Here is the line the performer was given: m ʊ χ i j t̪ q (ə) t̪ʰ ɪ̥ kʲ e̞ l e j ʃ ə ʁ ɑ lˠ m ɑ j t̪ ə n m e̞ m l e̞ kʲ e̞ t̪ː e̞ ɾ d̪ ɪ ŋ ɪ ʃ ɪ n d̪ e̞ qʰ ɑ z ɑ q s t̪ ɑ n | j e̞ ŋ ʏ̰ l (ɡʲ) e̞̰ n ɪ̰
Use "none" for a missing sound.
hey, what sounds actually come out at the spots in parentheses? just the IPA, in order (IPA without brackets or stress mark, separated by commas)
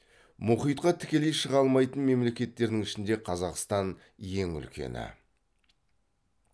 ɑ, kʲ